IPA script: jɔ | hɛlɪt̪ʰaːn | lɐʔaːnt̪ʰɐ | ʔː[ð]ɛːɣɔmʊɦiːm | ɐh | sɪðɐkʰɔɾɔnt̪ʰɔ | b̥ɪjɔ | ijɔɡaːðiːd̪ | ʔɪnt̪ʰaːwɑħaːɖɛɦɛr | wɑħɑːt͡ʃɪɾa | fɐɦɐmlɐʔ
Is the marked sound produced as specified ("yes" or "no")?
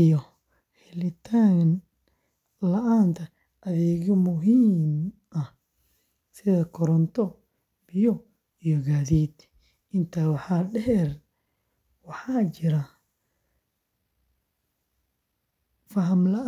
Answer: yes